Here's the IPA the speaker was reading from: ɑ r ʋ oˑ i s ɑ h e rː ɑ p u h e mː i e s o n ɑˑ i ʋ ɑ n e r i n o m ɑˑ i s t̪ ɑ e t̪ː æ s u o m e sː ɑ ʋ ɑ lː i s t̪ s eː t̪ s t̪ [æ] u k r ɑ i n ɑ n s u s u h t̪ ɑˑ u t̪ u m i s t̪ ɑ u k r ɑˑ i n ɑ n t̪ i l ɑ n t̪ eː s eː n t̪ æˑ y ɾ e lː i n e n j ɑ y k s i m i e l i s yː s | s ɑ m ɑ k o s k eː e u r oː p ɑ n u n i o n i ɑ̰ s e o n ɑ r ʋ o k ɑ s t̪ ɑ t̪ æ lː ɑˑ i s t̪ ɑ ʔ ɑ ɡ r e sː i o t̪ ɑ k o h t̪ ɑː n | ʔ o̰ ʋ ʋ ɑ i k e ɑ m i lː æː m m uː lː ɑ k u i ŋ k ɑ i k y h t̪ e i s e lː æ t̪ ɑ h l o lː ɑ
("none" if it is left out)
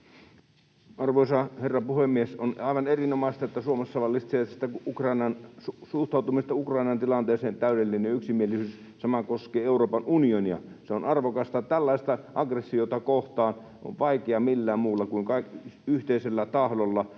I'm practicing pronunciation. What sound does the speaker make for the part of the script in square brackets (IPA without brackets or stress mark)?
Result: æ